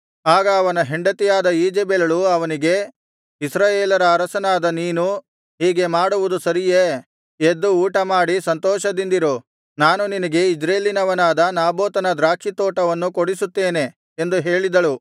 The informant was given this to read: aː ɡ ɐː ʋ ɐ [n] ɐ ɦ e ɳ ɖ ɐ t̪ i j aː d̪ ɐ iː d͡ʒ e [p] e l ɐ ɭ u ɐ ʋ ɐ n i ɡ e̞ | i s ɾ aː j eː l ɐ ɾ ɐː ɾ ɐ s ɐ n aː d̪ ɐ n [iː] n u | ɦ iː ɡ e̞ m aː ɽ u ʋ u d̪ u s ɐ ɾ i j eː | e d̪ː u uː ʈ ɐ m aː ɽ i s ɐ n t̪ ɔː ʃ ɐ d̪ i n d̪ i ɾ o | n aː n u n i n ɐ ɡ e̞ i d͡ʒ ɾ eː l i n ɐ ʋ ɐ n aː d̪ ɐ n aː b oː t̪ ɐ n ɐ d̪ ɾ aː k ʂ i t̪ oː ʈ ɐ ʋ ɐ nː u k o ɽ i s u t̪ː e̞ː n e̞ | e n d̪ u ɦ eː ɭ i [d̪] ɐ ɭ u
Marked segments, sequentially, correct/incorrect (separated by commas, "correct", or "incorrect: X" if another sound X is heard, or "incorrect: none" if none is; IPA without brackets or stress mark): correct, incorrect: b, correct, correct